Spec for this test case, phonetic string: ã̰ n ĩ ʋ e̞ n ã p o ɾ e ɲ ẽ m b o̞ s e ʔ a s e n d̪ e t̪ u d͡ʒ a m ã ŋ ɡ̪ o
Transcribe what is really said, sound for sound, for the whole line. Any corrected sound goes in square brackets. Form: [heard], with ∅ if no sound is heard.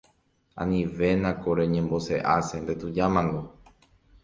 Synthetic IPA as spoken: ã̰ n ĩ ʋ e̞ n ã [k] o ɾ e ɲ ẽ m b o̞ s e ʔ a s e n d̪ e t̪ u d͡ʒ a m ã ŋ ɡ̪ o